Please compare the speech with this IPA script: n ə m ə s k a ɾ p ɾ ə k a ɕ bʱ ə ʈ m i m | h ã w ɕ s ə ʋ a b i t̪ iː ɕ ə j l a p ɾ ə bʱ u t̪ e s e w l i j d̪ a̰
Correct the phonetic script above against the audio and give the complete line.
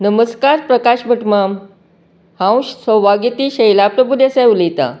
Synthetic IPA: n ə m ə s k a ɾ p ɾ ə k a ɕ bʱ ə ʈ m a m | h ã w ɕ s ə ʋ a ɡ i t̪ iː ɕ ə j l a p ɾ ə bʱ u d̪ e s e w l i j t̪ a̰